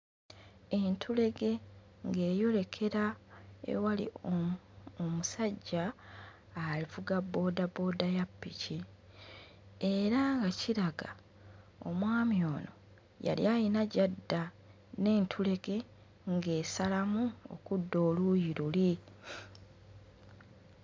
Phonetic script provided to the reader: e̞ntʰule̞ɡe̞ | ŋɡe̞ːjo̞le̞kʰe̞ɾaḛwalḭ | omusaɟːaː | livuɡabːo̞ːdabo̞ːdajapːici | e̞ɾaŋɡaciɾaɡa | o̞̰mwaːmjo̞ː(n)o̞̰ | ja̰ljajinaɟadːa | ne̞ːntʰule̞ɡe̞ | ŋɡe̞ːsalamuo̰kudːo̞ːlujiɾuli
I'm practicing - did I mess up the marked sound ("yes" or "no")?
no